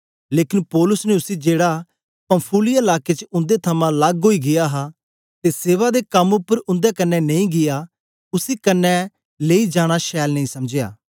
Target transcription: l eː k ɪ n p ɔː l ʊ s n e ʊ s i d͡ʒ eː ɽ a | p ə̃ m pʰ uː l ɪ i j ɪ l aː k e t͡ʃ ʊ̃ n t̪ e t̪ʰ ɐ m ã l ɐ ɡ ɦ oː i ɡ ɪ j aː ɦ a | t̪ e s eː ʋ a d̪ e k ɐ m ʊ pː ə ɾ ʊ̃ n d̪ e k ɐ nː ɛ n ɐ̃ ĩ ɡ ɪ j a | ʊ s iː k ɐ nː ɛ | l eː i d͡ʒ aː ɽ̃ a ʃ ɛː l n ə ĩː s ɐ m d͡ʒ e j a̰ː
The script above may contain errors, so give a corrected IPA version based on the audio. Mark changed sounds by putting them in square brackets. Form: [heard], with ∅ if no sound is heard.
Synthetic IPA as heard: l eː k ɪ n p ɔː l ʊ s n e ʊ s i d͡ʒ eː ɽ a | p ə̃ m pʰ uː l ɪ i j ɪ l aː k e t͡ʃ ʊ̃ n [d̪] e t̪ʰ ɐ m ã l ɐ ɡ ɦ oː i ɡ ɪ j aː ɦ a | t̪ e s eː ʋ a d̪ e k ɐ m ʊ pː ə ɾ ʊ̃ n d̪ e k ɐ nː ɛ n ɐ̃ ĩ ɡ ɪ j a | ʊ s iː k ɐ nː ɛ | l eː i d͡ʒ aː ɽ̃ a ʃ ɛː l n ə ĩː s ɐ m d͡ʒ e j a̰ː

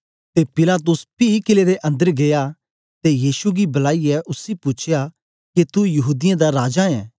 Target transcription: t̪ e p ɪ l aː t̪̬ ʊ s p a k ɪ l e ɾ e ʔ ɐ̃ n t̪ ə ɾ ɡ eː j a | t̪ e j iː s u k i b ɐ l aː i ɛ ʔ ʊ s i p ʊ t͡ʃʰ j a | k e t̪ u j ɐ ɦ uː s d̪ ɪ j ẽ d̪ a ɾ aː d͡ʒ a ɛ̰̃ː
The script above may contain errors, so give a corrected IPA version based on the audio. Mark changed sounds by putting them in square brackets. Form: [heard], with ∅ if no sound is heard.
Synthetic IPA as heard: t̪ e p ɪ l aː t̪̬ ʊ s p [i] k ɪ l e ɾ e ʔ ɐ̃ n [d̪] ə ɾ ɡ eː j a | t̪ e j iː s u [ɡ] i b ɐ l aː i ɛ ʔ ʊ s i p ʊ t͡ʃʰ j a | k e t̪ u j ɐ ɦ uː [∅] d̪ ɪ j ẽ d̪ a ɾ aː d͡ʒ a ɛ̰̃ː

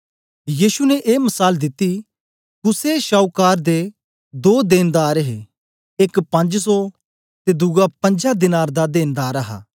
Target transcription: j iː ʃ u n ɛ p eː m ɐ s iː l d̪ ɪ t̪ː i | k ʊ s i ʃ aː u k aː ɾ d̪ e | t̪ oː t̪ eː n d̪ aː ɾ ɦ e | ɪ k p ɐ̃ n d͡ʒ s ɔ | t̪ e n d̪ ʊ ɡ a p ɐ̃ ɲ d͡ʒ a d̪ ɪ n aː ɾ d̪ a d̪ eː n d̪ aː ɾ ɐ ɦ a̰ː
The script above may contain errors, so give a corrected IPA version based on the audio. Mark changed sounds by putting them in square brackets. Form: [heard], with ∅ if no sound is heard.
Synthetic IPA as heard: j iː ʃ u n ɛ [ʔ] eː m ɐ s [aː] l d̪ ɪ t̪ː i | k ʊ s [e] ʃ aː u k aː ɾ d̪ e | [d̪] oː [d̪] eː n d̪ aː ɾ ɦ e | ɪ k p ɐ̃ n d͡ʒ s ɔ | t̪ e [∅] d̪ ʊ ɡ a p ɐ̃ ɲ d͡ʒ a d̪ ɪ n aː ɾ d̪ a d̪ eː n d̪ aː ɾ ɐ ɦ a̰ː

